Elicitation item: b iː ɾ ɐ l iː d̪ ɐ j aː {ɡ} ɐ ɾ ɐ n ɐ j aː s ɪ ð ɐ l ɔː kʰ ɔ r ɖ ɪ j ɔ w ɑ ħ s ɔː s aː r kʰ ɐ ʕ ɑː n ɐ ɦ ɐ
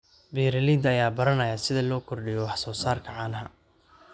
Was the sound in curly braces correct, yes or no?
no